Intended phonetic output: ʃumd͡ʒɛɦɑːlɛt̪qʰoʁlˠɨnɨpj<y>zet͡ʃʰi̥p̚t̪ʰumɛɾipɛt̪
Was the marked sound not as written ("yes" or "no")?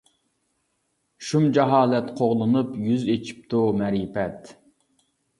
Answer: no